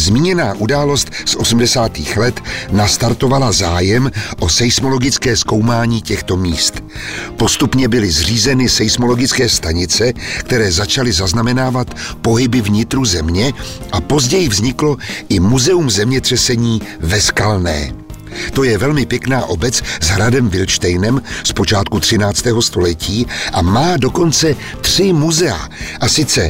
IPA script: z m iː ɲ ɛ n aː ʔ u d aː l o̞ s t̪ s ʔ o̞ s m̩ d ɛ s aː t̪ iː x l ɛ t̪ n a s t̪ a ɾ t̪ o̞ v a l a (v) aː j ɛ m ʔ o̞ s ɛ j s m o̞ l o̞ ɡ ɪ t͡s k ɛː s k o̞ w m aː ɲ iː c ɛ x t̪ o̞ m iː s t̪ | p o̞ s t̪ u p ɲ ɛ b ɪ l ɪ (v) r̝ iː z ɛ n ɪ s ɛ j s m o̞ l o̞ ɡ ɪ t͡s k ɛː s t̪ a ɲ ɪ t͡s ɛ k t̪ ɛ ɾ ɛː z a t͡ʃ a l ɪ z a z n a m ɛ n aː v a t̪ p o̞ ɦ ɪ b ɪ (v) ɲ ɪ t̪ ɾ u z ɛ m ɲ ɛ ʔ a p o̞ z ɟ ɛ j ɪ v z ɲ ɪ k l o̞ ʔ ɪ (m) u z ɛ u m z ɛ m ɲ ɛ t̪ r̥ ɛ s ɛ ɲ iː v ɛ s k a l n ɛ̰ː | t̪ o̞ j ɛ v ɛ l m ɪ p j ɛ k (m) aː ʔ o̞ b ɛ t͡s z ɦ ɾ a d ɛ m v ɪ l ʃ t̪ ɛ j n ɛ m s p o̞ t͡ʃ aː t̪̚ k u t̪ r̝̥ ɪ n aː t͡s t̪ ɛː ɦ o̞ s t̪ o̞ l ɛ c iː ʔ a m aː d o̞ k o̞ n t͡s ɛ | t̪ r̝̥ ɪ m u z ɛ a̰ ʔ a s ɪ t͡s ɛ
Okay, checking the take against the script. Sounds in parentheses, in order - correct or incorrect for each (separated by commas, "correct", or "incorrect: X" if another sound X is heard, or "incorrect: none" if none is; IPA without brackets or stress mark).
incorrect: z, incorrect: z, correct, correct, incorrect: n